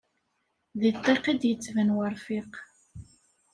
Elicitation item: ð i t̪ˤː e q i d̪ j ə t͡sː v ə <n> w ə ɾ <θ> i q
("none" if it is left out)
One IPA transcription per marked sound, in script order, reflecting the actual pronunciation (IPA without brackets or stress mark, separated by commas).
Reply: n, f